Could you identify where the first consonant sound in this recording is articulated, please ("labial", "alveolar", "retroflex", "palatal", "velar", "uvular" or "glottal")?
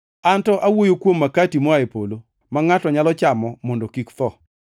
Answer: alveolar